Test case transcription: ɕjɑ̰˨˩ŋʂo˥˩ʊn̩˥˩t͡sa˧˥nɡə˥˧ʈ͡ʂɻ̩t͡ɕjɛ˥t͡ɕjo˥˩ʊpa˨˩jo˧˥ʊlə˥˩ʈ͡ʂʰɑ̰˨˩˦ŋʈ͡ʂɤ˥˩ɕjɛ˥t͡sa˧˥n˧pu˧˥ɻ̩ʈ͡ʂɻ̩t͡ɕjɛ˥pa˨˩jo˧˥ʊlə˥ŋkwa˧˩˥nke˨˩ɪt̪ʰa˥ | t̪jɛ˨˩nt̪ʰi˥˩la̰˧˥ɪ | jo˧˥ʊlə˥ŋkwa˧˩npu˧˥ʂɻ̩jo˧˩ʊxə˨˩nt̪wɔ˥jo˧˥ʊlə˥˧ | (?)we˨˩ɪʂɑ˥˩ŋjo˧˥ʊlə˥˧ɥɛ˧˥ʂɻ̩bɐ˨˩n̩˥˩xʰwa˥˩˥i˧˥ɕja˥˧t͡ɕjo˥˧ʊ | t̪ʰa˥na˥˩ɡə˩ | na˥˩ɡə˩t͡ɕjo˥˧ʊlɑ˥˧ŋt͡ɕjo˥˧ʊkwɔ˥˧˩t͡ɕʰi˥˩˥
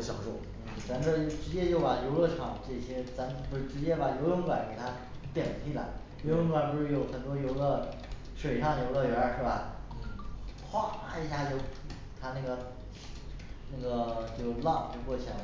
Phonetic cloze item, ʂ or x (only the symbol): ʂ